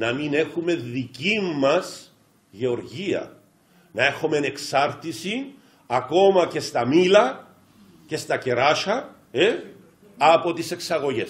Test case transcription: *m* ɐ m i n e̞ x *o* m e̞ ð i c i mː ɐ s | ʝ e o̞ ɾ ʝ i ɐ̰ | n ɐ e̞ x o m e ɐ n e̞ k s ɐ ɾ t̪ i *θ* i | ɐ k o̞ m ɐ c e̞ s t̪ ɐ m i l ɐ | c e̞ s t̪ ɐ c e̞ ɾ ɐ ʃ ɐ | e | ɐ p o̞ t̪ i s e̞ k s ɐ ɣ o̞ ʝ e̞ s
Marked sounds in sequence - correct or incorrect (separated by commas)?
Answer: incorrect, incorrect, incorrect